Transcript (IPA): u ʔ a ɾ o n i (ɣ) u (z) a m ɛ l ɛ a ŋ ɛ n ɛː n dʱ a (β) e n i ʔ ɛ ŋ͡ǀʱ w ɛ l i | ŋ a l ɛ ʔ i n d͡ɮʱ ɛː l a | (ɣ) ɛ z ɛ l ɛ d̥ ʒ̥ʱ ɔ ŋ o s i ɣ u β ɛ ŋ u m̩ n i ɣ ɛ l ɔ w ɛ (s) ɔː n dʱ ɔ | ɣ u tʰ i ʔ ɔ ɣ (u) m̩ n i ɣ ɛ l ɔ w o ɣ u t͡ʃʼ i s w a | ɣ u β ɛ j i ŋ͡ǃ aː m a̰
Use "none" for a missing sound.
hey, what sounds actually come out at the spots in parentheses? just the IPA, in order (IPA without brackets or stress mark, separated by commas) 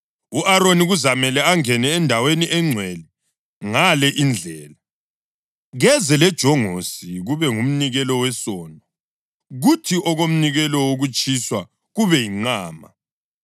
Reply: ɣ, z, w, ɣ, s, o